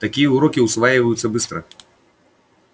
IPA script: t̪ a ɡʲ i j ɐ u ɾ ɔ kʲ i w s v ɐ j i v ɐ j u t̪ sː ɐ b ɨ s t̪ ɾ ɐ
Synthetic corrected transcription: t̪ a kʲ i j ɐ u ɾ ɔ kʲ i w s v a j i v ɐ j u t̪ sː ɐ b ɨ s t̪ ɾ ɐ